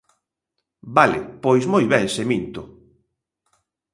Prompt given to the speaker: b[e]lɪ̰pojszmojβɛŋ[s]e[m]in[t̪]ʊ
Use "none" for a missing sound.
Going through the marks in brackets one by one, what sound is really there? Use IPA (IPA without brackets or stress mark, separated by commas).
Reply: a, s, m, t̪